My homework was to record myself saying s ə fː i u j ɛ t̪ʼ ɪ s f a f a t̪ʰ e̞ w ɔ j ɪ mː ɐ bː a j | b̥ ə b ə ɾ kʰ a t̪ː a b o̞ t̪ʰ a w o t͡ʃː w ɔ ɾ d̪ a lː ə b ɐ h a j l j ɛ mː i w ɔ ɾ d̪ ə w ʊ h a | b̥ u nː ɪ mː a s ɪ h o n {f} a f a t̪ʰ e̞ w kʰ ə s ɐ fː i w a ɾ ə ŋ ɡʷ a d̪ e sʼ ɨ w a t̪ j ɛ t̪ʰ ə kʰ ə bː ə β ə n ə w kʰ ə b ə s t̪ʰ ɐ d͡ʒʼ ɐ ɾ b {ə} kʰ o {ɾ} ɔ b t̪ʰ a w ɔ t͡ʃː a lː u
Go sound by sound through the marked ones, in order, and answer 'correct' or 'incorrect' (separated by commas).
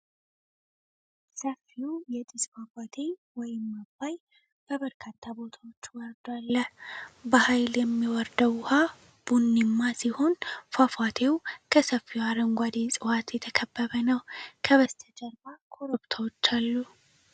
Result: correct, incorrect, correct